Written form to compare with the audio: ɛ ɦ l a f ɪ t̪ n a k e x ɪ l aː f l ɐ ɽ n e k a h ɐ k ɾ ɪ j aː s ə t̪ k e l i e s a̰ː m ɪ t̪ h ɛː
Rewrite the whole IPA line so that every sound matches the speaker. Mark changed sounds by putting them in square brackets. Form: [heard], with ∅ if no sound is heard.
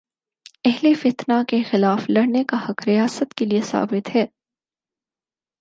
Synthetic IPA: ɛ ɦ l [e] f ɪ t̪ n a k e x ɪ l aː f l ɐ ɽ n e k a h ɐ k ɾ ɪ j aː s ə t̪ k e l i e s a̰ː [b] ɪ t̪ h ɛː